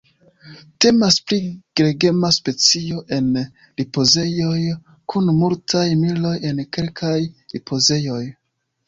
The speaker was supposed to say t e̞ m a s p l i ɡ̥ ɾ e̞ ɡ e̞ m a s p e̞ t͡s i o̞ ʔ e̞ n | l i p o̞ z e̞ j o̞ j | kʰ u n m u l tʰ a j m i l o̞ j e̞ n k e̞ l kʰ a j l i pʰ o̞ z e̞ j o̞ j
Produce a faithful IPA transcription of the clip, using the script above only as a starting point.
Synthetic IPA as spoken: t e̞ m a s p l i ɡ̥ ɾ e̞ ɡ e̞ m a s p e̞ t͡s i o̞ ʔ e̞ n | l i p o̞ z e̞ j o̞ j | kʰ u n m u l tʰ a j m i l o̞ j e̞ n k e̞ l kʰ a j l i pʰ o̞ z e̞ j o̞ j